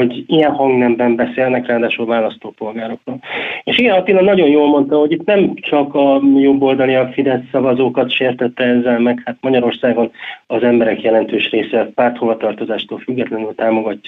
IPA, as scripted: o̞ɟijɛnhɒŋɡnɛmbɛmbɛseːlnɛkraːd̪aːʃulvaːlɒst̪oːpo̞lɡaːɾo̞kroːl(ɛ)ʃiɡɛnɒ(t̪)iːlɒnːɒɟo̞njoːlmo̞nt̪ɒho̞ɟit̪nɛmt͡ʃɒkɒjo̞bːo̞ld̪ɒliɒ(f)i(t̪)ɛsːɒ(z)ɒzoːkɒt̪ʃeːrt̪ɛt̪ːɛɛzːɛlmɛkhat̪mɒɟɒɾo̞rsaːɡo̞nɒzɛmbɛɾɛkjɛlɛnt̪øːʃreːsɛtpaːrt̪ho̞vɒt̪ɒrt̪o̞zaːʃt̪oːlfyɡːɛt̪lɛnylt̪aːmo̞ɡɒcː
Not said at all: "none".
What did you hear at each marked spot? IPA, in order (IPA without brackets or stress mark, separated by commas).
e, t̪, f, d̪, v